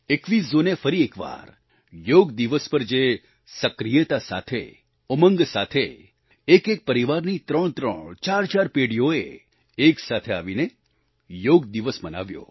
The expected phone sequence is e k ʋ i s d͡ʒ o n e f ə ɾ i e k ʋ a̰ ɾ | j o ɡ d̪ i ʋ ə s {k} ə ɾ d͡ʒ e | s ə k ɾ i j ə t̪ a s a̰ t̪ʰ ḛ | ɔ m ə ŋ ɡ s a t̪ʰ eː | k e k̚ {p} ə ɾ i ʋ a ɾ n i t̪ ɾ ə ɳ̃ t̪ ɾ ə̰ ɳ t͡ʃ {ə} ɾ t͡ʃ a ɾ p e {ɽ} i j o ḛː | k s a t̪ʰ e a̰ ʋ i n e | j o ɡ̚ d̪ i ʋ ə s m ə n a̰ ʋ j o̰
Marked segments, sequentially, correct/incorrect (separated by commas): incorrect, correct, incorrect, correct